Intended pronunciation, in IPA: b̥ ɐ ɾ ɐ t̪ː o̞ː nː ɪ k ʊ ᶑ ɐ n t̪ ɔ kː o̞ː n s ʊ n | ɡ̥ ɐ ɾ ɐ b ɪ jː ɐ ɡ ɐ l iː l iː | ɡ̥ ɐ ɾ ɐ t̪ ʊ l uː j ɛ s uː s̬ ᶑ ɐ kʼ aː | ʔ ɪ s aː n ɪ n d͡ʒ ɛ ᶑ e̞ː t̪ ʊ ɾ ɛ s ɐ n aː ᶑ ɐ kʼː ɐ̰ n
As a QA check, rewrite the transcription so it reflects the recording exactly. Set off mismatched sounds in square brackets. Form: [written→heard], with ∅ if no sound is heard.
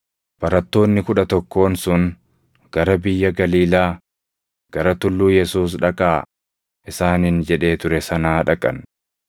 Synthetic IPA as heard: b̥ ɐ ɾ ɐ t̪ː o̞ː nː ɪ k ʊ ᶑ ɐ [n→∅] t̪ ɔ kː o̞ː n s ʊ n | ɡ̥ ɐ ɾ ɐ b ɪ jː ɐ ɡ ɐ l iː l [iː→aː] | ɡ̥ ɐ ɾ ɐ t̪ ʊ [l→lː] uː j ɛ s uː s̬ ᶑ ɐ kʼ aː | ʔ ɪ s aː n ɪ n d͡ʒ ɛ ᶑ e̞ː t̪ ʊ ɾ ɛ s ɐ n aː ᶑ ɐ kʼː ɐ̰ n